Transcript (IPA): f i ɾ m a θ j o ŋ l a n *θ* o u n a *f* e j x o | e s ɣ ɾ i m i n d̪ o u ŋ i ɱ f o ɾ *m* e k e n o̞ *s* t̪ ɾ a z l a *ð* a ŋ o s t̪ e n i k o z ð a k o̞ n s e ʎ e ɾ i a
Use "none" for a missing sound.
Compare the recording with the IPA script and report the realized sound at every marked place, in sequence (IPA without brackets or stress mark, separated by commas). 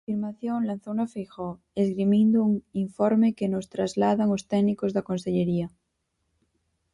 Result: θ, f, m, s, ð